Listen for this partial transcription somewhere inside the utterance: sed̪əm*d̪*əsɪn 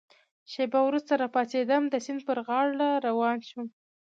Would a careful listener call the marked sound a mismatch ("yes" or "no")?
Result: no